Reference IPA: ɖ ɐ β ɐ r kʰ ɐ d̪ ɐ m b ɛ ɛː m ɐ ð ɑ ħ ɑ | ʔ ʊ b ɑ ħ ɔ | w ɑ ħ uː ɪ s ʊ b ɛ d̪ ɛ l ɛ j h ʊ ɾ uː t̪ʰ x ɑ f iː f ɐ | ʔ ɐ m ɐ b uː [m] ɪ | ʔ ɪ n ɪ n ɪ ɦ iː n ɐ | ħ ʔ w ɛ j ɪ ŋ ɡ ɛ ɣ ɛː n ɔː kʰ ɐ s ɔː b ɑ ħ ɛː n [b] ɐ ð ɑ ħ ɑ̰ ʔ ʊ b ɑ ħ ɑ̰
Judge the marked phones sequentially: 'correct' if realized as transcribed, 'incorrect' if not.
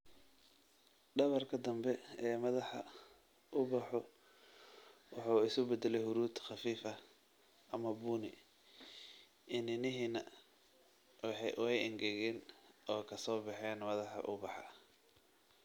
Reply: incorrect, incorrect

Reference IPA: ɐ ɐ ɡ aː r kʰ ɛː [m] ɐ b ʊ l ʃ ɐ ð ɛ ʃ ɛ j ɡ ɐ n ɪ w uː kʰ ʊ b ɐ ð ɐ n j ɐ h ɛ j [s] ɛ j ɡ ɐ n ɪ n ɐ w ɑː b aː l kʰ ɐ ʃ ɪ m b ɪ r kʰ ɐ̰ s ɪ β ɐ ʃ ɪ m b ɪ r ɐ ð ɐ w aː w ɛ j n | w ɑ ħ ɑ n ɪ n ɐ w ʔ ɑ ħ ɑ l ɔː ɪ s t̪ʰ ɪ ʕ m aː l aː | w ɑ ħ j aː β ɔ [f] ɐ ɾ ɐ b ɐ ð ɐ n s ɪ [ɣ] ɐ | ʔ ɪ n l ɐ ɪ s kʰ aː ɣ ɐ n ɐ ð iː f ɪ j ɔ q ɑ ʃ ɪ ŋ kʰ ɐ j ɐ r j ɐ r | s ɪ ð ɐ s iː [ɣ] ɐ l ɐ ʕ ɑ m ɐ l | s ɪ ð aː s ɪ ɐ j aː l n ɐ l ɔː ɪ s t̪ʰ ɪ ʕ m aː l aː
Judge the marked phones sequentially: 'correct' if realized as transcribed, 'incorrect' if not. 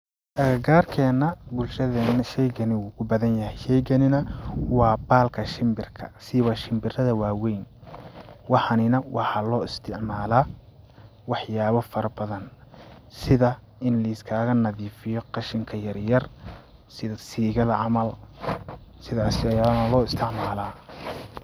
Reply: incorrect, incorrect, correct, incorrect, correct

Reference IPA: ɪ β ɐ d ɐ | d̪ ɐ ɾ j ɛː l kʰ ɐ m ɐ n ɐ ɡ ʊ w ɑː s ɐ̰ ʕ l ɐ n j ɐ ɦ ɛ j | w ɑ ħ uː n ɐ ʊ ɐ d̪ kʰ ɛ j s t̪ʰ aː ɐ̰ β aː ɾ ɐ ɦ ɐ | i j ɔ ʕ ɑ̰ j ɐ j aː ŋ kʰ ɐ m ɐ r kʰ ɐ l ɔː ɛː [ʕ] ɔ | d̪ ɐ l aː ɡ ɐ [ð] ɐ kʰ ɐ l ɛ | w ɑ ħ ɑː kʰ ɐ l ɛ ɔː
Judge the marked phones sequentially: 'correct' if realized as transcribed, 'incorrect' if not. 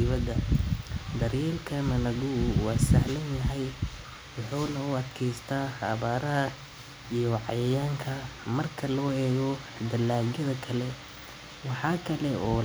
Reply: incorrect, correct

